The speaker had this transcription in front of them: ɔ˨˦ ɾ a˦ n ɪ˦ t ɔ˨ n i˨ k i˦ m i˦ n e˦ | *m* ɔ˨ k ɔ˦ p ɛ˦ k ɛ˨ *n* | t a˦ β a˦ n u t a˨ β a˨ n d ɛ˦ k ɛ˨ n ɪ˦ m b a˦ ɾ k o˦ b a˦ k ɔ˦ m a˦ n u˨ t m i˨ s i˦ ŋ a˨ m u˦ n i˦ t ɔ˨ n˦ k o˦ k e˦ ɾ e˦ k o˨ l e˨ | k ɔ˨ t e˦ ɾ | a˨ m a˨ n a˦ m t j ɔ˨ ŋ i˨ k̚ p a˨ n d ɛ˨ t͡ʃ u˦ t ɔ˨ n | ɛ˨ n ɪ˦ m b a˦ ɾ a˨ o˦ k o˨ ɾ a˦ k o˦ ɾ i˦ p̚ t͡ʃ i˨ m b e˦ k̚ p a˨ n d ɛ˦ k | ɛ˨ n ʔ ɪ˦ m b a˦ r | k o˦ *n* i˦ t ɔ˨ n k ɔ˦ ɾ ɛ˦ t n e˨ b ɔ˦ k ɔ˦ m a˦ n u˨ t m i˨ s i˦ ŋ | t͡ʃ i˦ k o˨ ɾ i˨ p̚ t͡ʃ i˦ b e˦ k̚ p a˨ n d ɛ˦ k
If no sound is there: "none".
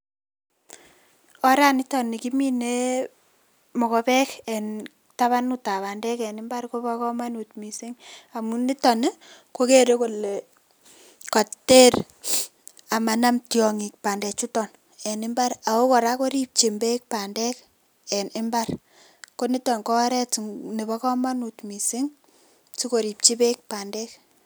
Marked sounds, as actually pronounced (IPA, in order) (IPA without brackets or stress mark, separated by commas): m, n, n